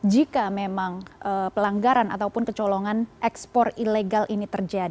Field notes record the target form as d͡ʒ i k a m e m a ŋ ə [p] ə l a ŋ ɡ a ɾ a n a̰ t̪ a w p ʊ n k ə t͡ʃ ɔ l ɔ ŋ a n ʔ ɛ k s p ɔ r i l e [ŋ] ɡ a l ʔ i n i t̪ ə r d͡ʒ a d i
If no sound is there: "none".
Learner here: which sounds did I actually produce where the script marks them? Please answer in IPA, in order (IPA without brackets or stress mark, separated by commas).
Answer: p, none